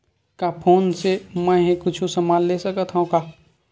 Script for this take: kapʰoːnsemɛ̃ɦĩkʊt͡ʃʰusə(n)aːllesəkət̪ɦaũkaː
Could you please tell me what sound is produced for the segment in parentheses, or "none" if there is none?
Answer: m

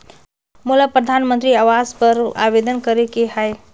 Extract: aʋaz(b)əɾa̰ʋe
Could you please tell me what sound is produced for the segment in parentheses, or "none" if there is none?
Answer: p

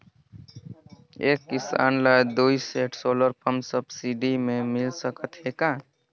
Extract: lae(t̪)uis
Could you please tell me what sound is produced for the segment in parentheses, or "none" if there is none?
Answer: d̪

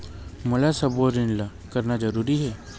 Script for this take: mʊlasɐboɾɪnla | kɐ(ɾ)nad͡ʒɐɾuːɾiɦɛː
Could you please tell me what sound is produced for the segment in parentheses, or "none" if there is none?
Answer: ɾ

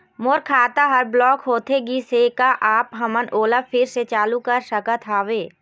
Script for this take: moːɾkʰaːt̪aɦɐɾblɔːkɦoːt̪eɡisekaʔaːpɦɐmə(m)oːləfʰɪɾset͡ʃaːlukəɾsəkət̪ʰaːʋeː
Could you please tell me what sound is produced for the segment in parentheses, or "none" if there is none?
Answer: n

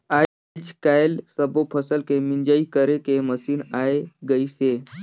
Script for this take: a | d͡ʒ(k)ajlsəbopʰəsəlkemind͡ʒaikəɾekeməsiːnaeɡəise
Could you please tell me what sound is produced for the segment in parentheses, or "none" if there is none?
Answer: k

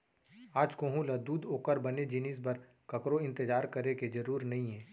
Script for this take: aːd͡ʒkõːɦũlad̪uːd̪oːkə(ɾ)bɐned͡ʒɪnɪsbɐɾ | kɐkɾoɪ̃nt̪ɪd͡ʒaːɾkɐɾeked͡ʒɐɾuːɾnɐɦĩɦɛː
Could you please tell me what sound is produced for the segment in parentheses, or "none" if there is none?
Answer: ɾ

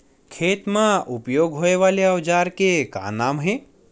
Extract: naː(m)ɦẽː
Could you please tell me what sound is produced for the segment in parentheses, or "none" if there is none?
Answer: m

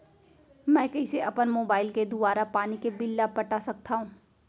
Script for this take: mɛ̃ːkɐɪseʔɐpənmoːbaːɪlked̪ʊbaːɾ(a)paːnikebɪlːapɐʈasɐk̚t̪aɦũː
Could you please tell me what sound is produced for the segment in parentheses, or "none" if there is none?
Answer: a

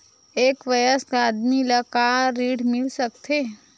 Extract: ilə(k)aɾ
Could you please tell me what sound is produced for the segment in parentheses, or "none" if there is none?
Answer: k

